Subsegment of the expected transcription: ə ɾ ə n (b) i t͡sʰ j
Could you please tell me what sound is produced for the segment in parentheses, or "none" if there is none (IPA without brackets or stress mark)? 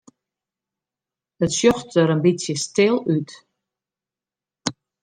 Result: b